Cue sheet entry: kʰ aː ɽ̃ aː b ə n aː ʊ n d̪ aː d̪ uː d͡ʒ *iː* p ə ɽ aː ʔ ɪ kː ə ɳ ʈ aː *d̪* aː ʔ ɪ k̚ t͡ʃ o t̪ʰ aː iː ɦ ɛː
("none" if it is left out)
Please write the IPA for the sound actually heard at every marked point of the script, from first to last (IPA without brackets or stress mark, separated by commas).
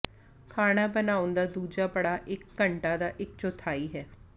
aː, d̪